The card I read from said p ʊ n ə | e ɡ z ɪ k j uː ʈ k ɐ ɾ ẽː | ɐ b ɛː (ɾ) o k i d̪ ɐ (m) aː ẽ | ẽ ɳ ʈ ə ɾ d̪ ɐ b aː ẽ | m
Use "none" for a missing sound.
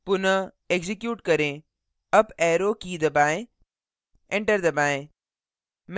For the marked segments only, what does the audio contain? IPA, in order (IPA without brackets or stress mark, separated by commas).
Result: ɾ, b